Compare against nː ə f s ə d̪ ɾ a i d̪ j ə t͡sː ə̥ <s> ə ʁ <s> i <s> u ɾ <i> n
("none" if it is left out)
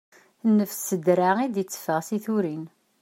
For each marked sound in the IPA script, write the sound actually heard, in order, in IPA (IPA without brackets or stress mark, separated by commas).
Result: f, s, θ, i